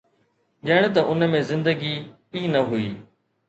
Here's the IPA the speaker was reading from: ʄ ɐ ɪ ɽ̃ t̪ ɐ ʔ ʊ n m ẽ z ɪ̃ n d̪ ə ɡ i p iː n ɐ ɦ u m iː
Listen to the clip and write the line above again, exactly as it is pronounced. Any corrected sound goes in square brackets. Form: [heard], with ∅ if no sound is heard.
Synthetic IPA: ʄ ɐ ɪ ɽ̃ t̪ ɐ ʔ ʊ n m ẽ z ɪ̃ n d̪ ə ɡ i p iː n ɐ ɦ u [∅] iː